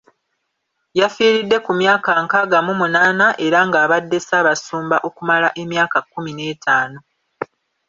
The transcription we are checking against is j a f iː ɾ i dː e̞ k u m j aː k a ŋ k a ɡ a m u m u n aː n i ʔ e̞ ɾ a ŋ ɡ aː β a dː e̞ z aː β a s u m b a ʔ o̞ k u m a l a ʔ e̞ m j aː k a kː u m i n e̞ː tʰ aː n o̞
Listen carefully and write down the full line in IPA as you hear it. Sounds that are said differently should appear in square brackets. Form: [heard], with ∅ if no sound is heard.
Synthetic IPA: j a f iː ɾ i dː e̞ k u m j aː k a ŋ k a ɡ a m u m u n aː n [a] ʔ e̞ ɾ a ŋ ɡ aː β a dː e̞ [s] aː β a s [uː] m b a ʔ o̞ k u m a l a ʔ e̞ m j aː k a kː u m i n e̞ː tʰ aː n o̞